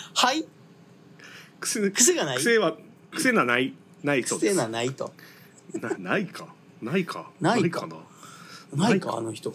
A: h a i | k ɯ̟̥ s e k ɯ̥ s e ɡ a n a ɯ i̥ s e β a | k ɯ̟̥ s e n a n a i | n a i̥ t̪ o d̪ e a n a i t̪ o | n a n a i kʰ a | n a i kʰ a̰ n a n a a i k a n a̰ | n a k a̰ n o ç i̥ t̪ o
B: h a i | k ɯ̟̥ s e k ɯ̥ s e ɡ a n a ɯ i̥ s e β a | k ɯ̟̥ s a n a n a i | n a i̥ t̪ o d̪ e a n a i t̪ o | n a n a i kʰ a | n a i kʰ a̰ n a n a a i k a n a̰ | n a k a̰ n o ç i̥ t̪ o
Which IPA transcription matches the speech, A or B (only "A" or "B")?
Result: A